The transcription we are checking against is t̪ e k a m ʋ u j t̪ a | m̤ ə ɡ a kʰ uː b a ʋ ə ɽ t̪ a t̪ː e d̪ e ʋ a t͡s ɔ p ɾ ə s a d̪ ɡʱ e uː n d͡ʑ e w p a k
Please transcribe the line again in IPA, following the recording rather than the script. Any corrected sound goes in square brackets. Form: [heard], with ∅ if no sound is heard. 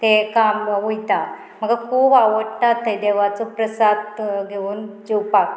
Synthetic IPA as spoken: t̪ e k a m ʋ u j t̪ a | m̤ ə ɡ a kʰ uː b a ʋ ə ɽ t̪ a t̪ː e d̪ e ʋ a t͡s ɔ p ɾ ə s a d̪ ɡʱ e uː n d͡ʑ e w p a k